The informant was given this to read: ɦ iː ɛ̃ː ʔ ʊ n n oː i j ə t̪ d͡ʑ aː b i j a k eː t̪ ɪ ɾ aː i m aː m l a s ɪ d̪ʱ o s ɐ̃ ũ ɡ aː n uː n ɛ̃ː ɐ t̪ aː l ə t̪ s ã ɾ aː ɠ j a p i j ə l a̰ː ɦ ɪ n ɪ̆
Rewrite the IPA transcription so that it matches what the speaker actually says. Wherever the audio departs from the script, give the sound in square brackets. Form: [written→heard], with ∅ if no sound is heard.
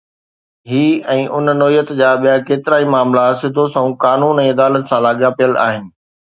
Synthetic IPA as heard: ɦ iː ɛ̃ː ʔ ʊ n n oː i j ə t̪ d͡ʑ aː [b→ɓ] i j a k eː t̪ ɪ ɾ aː i m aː m l a s ɪ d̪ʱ o s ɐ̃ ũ [ɡ→k] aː n uː n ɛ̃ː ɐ [t̪→d̪] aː l ə t̪ s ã [ɾ→l] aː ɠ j a p i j ə l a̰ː ɦ ɪ n ɪ̆